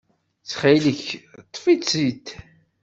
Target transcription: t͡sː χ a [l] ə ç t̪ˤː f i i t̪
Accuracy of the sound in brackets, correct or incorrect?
correct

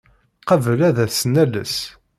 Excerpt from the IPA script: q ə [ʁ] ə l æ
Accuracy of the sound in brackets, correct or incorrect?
incorrect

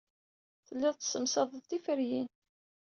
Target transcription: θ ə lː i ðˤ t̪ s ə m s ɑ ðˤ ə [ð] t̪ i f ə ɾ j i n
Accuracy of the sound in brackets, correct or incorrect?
correct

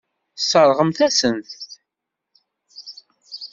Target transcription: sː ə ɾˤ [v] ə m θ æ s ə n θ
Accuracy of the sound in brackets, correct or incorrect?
incorrect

